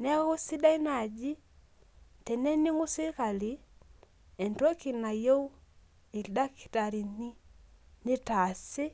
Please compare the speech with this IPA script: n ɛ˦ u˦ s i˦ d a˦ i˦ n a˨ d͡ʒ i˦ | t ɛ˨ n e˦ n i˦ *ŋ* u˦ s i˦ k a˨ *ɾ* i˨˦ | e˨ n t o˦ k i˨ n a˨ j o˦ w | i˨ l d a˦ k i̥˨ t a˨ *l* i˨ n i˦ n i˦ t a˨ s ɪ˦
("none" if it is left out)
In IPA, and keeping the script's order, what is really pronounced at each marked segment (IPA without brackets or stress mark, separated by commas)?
ŋ, l, ɾ